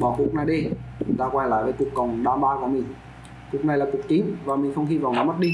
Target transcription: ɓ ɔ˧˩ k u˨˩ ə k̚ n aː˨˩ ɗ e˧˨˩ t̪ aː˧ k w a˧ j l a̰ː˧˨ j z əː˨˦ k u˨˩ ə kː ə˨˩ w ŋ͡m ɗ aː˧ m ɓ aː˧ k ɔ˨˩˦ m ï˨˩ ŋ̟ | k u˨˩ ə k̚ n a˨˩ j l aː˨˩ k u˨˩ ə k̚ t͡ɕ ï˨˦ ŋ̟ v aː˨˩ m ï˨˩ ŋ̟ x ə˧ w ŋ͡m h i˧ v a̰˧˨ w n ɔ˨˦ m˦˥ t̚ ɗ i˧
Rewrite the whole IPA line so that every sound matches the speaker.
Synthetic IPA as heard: ɓ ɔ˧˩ k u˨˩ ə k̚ n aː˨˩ ɗ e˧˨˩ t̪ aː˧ k w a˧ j l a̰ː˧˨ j v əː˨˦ k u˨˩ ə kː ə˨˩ w ŋ͡m ɗ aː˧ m ɓ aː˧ k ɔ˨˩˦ m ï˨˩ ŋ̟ | k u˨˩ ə k̚ n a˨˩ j l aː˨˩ k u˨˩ ə k̚ t͡ɕ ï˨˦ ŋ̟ v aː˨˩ m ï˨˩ ŋ̟ x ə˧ w ŋ͡m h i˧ v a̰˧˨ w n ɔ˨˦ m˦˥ t̚ ɗ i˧